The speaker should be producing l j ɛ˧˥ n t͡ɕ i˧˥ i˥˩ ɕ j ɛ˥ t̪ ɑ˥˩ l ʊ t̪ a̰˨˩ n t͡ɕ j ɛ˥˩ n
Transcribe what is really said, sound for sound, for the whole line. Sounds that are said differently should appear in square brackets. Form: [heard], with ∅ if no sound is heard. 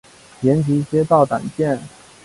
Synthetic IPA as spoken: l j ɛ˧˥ n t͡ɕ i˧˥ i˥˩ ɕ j ɛ˥ t̪ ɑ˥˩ [∅] ʊ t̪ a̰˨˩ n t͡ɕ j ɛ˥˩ n